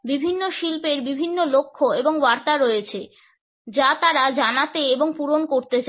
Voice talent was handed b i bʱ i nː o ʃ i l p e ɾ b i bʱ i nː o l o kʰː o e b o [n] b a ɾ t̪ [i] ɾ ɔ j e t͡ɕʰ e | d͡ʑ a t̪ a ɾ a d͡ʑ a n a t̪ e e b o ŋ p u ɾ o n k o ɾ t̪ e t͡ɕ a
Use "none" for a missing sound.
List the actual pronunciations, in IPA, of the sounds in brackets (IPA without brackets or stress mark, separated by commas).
ŋ, a